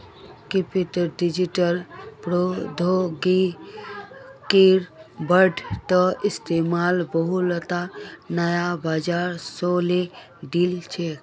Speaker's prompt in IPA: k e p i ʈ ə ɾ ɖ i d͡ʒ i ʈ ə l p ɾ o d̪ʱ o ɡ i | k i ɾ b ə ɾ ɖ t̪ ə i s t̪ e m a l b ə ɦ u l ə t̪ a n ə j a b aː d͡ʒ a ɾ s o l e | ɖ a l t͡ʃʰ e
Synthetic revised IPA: k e p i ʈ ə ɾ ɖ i d͡ʒ i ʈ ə l p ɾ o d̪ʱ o ɡ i | k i ɾ b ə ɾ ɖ t̪ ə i s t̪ e m a l b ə ɦ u l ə t̪ a n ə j a b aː d͡ʒ a ɾ s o l e | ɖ i l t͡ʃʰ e